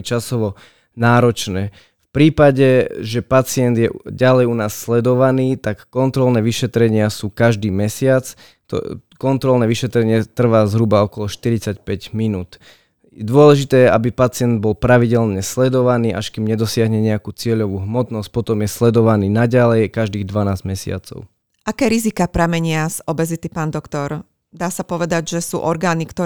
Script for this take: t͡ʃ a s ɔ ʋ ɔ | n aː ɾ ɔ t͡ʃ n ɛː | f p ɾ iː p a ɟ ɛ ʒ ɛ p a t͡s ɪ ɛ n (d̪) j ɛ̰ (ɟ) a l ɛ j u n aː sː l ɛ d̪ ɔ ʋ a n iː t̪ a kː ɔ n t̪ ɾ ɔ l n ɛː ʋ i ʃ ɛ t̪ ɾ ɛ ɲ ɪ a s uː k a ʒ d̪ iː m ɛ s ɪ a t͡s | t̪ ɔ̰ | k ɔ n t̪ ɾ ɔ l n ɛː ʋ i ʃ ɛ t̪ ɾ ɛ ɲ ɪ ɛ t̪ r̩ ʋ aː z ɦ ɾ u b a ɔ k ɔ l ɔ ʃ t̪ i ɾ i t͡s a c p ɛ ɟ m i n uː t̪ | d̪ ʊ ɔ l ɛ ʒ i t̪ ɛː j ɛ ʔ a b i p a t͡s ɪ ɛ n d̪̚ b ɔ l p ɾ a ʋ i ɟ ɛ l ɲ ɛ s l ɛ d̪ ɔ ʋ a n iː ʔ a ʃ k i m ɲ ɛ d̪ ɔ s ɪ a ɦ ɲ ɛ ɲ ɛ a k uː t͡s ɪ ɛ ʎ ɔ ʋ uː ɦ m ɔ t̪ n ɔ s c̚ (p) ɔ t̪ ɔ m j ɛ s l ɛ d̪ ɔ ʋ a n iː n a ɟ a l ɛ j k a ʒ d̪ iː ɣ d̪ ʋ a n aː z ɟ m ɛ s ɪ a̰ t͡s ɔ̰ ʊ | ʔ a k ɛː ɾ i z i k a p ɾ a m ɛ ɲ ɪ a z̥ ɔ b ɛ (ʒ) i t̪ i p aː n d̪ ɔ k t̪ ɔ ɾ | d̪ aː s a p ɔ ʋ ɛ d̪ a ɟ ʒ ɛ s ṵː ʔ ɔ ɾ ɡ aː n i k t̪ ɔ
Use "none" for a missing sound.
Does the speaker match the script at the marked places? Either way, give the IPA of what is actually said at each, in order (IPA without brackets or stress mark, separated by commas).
d̪, ɟ, p, z